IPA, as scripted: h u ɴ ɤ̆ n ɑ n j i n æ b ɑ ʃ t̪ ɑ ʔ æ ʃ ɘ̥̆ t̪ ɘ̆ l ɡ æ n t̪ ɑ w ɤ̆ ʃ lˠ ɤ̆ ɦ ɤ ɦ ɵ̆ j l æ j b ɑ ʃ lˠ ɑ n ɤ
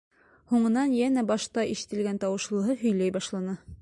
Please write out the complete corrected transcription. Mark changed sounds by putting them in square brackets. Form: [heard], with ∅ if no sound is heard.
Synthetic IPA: h u ɴ ɤ̆ n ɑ n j [æ] n æ b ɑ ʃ t̪ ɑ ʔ [i] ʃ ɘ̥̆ t̪ ɘ̆ l ɡ æ n t̪ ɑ w ɤ̆ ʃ lˠ ɤ̆ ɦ ɤ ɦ ɵ̆ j l æ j b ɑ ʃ lˠ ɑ n ɤ